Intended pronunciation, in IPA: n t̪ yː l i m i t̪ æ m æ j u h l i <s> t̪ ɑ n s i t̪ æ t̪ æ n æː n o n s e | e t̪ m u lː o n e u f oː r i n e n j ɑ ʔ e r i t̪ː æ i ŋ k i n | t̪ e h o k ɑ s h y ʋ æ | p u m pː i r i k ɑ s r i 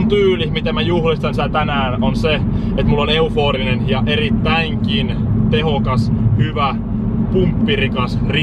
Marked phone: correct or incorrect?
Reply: correct